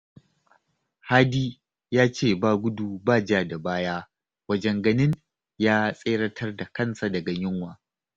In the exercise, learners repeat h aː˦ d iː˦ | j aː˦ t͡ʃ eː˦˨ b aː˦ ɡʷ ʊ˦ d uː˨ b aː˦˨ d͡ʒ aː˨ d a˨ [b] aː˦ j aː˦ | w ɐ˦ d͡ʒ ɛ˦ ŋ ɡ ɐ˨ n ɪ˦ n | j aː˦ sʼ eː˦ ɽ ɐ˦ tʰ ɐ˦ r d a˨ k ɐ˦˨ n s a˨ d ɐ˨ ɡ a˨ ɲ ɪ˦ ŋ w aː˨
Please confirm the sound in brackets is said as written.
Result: yes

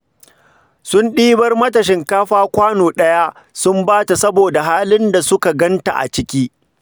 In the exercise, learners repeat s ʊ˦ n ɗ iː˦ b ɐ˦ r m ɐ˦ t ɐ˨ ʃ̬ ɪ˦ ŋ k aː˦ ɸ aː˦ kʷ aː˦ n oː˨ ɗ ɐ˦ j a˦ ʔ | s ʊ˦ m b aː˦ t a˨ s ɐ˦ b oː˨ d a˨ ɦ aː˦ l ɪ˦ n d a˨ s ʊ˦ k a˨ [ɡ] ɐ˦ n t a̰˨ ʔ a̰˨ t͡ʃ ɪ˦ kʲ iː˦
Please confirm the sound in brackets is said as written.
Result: yes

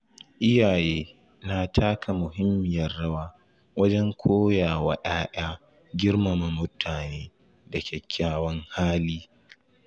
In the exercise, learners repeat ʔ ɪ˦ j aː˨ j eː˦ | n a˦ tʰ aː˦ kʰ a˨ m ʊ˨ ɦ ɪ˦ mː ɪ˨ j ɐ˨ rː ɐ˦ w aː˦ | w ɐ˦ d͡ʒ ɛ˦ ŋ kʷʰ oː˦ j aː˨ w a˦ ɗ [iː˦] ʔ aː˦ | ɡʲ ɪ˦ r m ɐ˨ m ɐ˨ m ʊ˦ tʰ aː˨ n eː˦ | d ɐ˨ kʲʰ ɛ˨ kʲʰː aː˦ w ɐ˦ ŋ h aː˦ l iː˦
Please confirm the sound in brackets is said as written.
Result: no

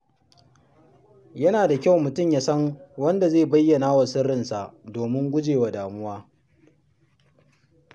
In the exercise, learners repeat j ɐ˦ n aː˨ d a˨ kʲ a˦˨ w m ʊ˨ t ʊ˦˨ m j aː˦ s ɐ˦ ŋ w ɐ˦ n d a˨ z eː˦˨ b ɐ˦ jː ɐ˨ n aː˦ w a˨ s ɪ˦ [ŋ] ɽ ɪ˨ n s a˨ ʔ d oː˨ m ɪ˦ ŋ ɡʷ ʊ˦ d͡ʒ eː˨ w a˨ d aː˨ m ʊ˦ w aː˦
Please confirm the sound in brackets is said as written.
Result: no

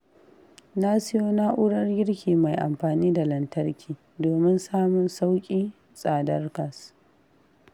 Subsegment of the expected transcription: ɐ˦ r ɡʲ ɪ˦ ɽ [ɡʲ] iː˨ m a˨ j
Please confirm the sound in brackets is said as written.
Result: no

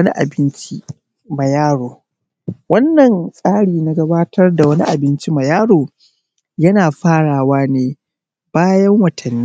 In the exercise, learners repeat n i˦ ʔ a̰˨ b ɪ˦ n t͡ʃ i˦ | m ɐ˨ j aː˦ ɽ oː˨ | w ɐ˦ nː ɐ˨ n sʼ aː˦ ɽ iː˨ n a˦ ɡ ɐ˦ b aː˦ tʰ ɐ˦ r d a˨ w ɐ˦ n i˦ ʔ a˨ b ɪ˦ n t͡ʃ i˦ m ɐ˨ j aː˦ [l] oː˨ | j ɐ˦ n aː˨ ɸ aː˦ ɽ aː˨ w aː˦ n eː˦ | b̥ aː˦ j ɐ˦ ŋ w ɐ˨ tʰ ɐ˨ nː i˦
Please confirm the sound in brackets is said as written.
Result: no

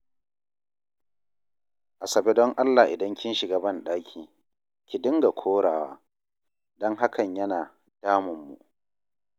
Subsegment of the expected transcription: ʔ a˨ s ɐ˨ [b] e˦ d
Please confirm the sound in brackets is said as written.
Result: yes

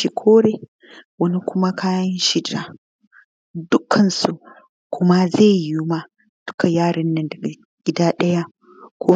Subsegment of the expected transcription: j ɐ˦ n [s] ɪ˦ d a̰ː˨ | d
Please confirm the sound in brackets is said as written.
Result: no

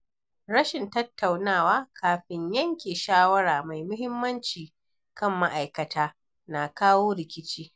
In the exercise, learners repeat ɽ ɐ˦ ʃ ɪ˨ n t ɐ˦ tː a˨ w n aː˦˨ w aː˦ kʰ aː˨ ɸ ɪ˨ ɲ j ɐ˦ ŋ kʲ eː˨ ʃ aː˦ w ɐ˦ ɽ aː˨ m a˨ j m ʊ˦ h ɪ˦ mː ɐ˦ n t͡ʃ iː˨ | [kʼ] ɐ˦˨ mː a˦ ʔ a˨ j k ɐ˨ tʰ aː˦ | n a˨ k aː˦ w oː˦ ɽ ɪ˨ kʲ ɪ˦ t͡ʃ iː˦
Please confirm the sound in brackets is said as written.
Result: no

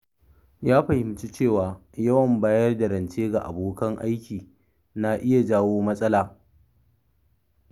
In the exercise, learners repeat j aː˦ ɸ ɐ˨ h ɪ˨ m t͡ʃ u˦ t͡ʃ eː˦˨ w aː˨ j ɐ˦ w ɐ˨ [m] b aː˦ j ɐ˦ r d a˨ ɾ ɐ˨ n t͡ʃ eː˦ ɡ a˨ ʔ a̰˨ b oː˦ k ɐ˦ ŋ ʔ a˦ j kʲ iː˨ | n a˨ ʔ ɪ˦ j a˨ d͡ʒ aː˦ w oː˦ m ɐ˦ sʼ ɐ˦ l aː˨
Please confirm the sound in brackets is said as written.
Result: yes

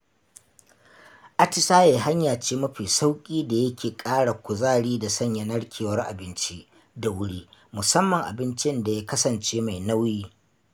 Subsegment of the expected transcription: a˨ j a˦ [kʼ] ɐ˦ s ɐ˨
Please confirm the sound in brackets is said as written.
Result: no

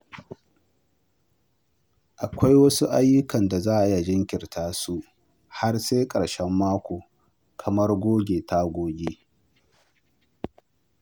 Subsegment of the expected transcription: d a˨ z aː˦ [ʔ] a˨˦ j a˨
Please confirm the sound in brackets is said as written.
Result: yes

